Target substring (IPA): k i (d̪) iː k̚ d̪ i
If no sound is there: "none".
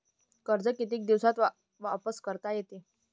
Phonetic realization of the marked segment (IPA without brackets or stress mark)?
t̪